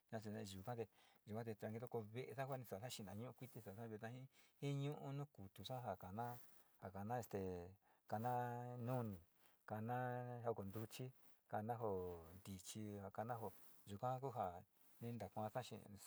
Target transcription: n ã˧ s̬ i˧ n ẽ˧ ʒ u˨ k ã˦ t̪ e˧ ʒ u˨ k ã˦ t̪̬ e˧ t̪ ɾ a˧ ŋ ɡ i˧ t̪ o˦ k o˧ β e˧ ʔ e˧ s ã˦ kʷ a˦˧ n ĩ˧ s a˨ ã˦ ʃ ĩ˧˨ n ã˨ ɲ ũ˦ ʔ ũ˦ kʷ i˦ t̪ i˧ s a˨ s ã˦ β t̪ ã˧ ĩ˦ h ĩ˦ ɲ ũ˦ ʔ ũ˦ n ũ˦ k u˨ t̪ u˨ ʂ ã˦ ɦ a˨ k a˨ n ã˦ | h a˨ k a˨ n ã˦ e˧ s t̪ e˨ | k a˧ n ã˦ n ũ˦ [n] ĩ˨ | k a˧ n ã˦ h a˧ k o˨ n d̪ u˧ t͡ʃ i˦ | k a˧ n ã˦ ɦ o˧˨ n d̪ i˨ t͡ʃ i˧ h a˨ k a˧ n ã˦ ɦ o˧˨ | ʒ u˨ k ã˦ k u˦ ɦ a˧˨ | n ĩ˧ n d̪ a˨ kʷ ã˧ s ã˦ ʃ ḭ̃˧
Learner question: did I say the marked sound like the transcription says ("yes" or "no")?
yes